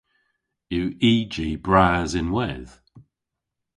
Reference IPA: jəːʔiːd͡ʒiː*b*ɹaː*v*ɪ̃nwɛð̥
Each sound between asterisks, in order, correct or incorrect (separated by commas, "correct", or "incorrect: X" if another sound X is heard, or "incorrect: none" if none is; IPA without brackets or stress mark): correct, incorrect: z